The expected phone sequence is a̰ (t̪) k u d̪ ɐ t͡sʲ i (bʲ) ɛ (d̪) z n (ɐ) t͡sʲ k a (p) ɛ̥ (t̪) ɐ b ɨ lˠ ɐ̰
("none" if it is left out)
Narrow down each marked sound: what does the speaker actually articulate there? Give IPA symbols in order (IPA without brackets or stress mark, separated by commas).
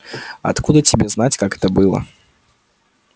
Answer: t̪, bʲ, none, a, k, t̪